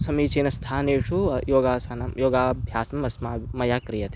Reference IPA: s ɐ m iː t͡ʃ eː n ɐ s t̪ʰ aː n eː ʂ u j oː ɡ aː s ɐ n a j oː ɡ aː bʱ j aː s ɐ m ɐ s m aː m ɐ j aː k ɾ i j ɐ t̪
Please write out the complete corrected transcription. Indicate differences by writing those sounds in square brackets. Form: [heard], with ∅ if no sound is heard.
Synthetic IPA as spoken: s ɐ m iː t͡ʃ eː n ɐ s t̪ʰ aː n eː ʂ u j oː ɡ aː s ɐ n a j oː ɡ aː bʱ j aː s ɐ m ɐ s m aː m ɐ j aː k ɾ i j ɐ t̪